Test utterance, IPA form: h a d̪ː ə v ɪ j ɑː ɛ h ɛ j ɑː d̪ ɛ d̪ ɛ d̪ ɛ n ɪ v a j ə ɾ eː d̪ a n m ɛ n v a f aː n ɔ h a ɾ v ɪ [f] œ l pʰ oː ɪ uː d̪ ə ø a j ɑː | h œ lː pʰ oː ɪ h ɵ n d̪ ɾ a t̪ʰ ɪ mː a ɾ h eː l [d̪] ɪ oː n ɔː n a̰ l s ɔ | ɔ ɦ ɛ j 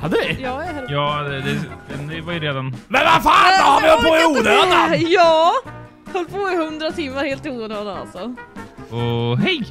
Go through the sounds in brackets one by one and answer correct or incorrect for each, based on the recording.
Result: incorrect, incorrect

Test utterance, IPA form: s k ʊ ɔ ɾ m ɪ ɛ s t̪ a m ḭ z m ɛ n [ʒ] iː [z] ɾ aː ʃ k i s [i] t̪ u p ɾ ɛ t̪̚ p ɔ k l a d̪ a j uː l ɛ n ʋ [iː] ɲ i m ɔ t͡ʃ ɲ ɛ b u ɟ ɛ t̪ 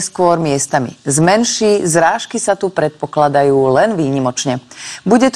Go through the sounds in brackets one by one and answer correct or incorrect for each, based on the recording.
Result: incorrect, correct, incorrect, correct

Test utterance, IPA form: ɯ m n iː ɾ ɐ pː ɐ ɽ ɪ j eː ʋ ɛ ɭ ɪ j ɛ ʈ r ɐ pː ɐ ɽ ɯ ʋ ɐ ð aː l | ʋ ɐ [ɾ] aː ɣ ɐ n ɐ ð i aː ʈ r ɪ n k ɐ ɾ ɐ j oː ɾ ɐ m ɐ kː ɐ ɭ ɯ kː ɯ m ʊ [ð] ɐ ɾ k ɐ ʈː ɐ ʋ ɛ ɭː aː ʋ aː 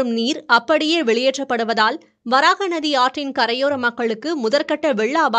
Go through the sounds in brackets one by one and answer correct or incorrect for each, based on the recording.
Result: correct, correct

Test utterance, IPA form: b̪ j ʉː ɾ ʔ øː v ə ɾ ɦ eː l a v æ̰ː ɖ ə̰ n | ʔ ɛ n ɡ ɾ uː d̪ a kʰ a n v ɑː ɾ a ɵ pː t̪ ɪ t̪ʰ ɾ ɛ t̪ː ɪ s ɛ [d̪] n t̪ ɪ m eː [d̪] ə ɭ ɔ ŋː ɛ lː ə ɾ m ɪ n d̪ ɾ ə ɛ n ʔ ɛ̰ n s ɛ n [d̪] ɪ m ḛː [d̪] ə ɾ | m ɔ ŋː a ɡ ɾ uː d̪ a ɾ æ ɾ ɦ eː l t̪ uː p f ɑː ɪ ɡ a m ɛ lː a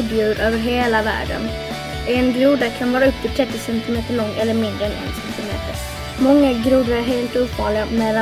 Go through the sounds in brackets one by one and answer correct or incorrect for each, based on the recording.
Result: incorrect, incorrect, incorrect, incorrect

